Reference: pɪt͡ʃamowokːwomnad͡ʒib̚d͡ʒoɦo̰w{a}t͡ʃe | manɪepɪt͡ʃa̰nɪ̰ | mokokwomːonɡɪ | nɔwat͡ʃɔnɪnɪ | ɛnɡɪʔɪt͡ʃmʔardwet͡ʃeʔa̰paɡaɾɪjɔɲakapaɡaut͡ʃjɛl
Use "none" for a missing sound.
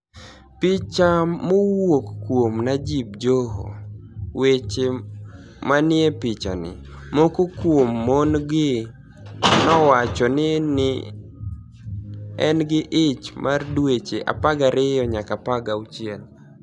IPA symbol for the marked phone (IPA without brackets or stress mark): e